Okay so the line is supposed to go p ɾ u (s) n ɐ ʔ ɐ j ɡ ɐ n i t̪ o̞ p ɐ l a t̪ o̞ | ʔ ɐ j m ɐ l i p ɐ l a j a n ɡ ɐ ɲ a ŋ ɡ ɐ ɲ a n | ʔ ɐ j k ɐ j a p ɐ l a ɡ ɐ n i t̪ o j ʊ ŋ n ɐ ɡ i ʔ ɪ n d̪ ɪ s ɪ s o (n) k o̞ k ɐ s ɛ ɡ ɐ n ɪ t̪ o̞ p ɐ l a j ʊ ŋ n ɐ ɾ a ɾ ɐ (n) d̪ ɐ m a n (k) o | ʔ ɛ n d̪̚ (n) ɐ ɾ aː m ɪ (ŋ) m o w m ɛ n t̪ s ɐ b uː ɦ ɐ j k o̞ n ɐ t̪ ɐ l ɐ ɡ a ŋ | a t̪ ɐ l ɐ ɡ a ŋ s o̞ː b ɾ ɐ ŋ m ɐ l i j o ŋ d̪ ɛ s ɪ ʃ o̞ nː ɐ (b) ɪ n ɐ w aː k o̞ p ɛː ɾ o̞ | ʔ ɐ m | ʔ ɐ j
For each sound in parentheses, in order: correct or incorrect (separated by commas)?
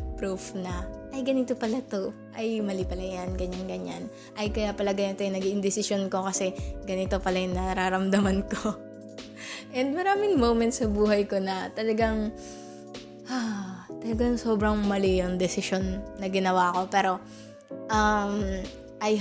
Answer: incorrect, correct, incorrect, correct, incorrect, correct, incorrect